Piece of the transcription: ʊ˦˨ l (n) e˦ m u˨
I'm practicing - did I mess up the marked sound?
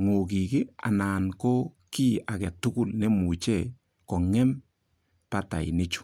no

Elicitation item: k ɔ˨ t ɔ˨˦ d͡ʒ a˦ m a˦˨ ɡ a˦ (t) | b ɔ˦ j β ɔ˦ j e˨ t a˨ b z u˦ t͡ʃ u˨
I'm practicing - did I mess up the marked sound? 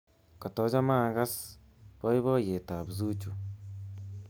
yes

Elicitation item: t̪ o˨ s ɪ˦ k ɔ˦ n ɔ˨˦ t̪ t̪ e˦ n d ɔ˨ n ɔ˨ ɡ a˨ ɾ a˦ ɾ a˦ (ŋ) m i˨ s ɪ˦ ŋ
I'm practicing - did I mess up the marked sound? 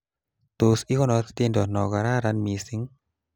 yes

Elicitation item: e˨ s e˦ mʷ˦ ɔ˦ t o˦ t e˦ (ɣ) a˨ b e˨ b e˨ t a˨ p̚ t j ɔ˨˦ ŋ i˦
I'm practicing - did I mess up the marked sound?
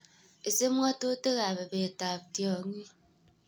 no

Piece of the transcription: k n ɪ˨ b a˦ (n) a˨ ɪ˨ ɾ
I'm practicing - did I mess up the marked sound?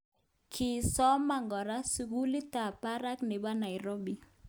no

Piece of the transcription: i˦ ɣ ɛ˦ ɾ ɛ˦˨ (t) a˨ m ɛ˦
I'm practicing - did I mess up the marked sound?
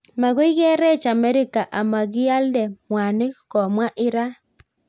yes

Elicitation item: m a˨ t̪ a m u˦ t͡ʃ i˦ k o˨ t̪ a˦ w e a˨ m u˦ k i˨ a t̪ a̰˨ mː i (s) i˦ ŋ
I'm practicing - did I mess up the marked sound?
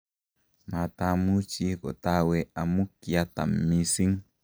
no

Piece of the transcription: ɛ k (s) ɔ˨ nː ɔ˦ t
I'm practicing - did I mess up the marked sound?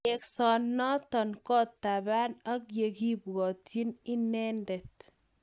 no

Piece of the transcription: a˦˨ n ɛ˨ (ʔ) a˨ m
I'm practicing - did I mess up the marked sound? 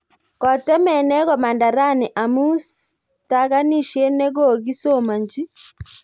no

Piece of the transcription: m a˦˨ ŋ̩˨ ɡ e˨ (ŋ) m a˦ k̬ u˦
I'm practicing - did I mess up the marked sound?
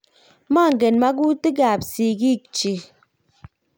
yes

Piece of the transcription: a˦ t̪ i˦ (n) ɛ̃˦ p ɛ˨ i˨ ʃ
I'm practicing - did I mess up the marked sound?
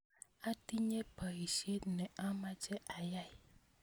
yes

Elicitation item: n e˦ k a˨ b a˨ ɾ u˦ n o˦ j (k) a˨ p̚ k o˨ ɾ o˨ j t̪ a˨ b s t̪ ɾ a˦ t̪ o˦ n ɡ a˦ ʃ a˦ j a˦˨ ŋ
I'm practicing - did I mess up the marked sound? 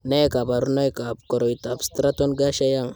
no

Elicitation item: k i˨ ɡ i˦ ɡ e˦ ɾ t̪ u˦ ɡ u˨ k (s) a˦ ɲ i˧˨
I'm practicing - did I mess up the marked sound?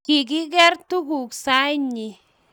no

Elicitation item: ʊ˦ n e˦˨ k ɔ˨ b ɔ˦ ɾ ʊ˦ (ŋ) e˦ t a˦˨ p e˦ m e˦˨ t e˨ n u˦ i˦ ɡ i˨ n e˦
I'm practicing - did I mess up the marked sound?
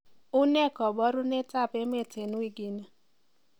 yes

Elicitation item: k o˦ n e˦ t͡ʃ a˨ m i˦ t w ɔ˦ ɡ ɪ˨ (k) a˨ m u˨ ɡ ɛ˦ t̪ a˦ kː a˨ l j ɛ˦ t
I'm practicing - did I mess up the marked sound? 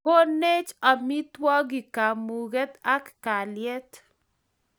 no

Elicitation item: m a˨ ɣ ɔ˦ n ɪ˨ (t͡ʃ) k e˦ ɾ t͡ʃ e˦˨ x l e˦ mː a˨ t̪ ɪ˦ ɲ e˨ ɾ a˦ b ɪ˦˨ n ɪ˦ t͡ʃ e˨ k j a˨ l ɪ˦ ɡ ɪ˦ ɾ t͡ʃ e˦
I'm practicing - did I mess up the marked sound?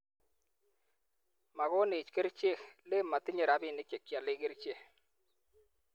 no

